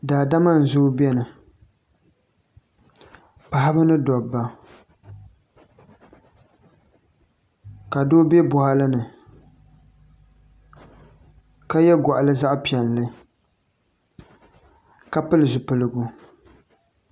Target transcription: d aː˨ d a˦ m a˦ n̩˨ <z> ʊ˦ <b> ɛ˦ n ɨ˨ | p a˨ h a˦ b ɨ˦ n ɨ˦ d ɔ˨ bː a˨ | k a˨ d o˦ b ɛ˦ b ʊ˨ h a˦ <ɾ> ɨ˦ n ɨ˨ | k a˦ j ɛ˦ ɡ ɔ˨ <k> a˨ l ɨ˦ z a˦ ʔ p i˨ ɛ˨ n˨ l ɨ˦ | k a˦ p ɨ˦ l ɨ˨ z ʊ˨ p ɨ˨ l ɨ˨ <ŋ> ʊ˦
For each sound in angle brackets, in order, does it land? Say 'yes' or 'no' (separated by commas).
yes, yes, no, no, no